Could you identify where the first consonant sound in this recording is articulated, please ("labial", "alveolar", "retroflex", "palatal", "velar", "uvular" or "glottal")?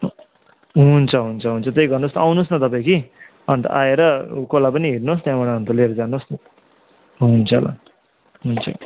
glottal